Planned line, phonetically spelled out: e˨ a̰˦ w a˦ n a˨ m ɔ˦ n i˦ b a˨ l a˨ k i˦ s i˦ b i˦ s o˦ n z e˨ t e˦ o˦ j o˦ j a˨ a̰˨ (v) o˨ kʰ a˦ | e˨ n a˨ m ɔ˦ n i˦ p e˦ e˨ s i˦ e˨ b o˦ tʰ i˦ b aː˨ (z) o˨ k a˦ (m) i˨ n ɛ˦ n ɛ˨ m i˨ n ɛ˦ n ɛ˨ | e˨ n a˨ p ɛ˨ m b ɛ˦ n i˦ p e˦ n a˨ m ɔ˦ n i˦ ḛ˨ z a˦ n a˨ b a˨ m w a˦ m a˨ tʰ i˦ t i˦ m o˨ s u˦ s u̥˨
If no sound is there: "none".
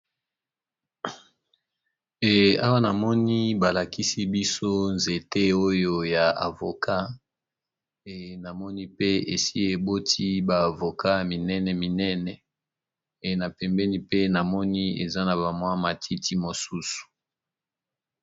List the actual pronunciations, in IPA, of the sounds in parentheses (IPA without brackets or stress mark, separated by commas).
v, v, m